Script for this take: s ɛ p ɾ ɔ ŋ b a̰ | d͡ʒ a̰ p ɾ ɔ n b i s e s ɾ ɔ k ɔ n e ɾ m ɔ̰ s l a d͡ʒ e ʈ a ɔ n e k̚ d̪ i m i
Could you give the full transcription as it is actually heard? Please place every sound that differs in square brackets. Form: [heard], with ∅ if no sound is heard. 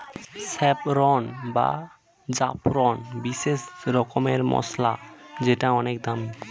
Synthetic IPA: s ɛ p ɾ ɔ [n] b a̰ | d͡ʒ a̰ p ɾ ɔ n b i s e s ɾ ɔ k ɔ [m] e ɾ m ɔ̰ s l a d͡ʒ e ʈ a ɔ n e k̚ d̪ [a] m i